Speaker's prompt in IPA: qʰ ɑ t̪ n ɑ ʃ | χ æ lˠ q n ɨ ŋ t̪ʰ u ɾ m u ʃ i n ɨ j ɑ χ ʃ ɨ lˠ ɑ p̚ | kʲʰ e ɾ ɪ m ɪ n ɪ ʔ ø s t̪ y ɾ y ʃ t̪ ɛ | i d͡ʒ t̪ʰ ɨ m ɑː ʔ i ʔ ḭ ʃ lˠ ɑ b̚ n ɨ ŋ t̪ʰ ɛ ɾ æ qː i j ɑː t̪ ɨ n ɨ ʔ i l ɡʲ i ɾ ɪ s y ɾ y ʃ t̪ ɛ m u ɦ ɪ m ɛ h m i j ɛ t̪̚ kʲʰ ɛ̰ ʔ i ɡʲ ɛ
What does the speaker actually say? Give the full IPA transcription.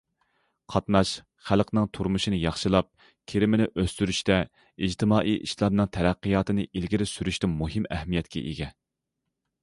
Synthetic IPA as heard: qʰ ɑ t̪ n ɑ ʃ | χ æ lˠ q n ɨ ŋ t̪ʰ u ɾ m u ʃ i n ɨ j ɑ χ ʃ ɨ lˠ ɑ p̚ | kʲʰ e ɾ ɪ m ɪ n ɪ ʔ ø s t̪ y ɾ y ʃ t̪ ɛ | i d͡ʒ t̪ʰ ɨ m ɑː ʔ i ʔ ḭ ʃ lˠ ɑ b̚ n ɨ ŋ t̪ʰ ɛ ɾ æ qː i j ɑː t̪ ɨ n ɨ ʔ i l ɡʲ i ɾ ɪ s y ɾ y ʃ t̪ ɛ m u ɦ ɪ m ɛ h m i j ɛ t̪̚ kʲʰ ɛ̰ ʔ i ɡʲ ɛ

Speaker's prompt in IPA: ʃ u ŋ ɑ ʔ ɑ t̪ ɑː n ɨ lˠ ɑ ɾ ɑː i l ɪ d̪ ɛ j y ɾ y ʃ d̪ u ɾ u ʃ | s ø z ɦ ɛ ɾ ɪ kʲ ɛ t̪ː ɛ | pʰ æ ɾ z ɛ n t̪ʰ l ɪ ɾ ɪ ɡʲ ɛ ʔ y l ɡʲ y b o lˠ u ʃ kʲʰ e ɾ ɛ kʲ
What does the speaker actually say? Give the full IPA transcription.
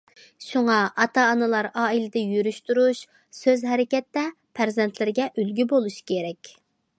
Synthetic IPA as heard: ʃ u ŋ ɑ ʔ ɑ t̪ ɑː n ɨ lˠ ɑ ɾ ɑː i l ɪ d̪ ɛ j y ɾ y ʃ t̪ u ɾ u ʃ | s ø z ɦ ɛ ɾ ɪ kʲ ɛ t̪ː ɛ | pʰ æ ɾ z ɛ n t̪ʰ l ɪ ɾ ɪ ɡʲ ɛ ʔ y l ɡʲ y b o lˠ u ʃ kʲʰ e ɾ ɛ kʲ

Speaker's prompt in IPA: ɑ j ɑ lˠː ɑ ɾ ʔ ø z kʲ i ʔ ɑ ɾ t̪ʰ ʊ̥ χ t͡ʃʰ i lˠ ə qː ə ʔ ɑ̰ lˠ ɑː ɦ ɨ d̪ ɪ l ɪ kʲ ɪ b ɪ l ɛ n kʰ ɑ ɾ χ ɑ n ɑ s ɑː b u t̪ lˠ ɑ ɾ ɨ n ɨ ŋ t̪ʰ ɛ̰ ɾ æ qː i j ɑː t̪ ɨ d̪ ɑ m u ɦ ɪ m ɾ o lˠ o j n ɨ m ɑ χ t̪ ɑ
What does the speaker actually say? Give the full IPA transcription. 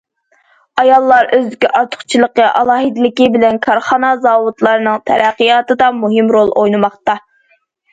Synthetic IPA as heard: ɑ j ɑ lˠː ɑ ɾ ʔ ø z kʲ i ʔ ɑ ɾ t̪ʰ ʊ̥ χ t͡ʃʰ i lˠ ə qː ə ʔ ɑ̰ lˠ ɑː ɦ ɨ d̪ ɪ l ɪ kʲ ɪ b ɪ l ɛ n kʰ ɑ ɾ χ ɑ n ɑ z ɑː w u t̪ lˠ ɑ ɾ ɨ n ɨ ŋ t̪ʰ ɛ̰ ɾ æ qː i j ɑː t̪ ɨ d̪ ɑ m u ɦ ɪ m ɾ o lˠ o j n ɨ m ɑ χ t̪ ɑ

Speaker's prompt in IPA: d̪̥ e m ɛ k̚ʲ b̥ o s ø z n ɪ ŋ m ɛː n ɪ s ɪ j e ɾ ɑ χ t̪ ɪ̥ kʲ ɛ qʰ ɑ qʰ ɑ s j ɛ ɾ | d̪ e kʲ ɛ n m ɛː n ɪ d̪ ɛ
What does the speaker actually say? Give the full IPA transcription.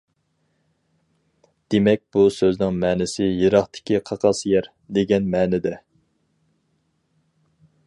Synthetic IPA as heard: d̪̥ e m ɛ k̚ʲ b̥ u s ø z n ɪ ŋ m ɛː n ɪ s ɪ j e ɾ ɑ χ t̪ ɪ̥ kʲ i qʰ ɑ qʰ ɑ s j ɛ ɾ | d̪ e ɡʲ ɛ n m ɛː n ɪ d̪ ɛ

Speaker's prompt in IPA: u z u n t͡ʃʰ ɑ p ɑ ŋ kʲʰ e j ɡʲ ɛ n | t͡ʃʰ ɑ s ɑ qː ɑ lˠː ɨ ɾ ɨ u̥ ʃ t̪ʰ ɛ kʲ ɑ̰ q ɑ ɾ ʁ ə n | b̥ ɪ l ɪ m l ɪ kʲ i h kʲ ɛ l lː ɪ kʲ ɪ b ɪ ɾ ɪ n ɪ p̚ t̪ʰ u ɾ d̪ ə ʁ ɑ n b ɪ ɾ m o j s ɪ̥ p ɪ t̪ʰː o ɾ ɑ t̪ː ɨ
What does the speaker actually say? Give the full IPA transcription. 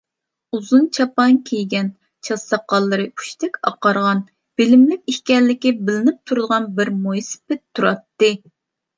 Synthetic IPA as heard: u z u n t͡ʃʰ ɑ p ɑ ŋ kʲʰ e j ɡʲ ɛ n | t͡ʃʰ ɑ s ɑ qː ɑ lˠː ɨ ɾ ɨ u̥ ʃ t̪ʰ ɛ kʲ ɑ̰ q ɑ ɾ ʁ ɑ n | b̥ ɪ l ɪ m l ɪ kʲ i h kʲ ɛ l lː ɪ kʲ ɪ b ɪ l ɪ n ɪ p̚ t̪ʰ u ɾ d̪ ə ʁ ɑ n b ɪ ɾ m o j s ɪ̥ p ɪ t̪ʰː u ɾ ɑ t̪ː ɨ

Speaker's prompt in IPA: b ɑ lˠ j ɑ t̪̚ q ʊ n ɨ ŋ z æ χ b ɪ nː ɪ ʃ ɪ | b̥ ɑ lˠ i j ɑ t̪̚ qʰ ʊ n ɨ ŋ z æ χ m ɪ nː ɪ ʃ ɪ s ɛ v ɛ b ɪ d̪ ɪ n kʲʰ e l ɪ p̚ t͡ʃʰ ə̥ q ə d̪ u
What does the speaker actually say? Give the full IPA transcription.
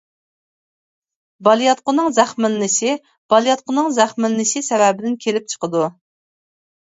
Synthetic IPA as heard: b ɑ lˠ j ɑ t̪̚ q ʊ n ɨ ŋ z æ χ m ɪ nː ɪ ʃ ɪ | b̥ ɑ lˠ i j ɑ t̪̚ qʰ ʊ n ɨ ŋ z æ χ m ɪ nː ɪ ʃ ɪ s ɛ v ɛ b ɪ d̪ ɪ n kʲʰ e l ɪ p̚ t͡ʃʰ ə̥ q ə d̪ u

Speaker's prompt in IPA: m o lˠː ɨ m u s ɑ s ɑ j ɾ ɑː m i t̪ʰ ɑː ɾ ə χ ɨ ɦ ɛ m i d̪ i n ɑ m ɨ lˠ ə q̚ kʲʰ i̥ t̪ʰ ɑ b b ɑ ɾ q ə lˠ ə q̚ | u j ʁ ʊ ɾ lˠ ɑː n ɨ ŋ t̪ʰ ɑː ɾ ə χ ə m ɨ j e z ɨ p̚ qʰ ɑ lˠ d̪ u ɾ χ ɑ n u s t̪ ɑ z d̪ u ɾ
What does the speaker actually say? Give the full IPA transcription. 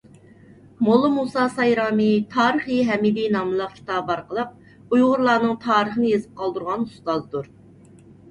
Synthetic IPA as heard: m o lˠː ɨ m u s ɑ s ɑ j ɾ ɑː m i t̪ʰ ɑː ɾ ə χ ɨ ɦ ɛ m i d̪ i n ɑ m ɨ lˠ ə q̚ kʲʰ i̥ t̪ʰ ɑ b b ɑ ɾ q ə lˠ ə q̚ | u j ʁ ʊ ɾ lˠ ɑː n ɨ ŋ t̪ʰ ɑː ɾ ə χ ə n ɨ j e z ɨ p̚ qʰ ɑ lˠ d̪ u ɾ ʁ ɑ n u s t̪ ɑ z d̪ u ɾ

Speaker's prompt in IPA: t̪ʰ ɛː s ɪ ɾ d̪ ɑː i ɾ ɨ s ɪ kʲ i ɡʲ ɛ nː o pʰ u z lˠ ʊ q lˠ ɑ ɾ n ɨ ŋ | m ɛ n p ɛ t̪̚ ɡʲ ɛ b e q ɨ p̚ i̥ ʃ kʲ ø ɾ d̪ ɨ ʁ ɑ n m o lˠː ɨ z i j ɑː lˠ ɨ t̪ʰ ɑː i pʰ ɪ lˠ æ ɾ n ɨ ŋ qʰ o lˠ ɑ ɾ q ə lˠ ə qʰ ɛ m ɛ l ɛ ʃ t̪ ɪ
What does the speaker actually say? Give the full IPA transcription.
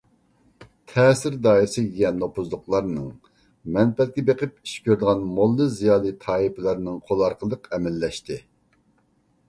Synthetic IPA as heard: t̪ʰ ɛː s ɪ ɾ d̪ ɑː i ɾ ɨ s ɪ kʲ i ɡʲ ɛ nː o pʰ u z lˠ ʊ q lˠ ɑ ɾ n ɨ ŋ | m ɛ n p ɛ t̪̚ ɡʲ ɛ b e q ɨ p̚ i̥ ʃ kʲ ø ɾ d̪ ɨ ʁ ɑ n m o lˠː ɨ z i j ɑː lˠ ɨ t̪ʰ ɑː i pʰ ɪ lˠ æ ɾ n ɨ ŋ qʰ o lˠ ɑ ɾ q ə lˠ ə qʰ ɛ m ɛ lː ɛ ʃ t̪ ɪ

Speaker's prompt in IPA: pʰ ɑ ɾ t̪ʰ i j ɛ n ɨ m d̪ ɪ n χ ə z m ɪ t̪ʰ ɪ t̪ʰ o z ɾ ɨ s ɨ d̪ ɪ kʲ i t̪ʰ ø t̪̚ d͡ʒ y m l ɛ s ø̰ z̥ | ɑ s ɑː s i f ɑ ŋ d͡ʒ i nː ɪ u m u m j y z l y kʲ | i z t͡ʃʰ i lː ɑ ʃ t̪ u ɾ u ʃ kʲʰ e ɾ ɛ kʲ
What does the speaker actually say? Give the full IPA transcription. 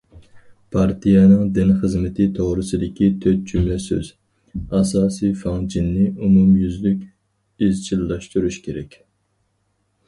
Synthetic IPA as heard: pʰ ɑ ɾ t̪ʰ i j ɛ n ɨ ŋ d̪ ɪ n χ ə z m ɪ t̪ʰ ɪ t̪ʰ o ʁ ɾ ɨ s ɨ d̪ ɪ kʲ i t̪ʰ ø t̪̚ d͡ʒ y m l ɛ s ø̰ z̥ | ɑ s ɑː s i f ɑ ŋ d͡ʒ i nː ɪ u m u m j y z l y kʲ | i z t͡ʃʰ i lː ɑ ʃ t̪ u ɾ u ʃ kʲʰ e ɾ ɛ kʲ

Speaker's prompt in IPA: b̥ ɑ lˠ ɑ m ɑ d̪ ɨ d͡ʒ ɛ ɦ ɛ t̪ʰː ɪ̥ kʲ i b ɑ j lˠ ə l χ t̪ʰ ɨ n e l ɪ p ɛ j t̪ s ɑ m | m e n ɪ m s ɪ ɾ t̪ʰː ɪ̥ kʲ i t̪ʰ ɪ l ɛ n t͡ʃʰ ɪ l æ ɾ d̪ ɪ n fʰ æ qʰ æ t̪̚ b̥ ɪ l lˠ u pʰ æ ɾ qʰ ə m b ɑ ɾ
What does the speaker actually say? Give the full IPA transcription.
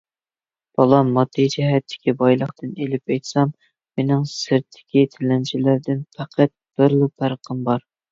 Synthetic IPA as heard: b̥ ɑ lˠ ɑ m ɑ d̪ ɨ d͡ʒ ɛ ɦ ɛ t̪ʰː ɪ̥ kʲ i b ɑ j lˠ ə χ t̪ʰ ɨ n e l ɪ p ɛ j t̪ s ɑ m | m e n ɪ ŋ s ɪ ɾ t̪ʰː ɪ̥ kʲ i t̪ʰ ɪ l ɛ n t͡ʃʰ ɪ l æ ɾ d̪ ɪ n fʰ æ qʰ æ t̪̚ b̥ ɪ ɾ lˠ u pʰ æ ɾ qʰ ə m b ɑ ɾ

